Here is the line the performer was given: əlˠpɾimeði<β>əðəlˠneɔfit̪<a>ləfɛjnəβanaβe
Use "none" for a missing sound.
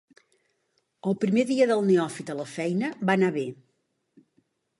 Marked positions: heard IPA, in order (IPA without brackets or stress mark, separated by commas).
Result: none, ə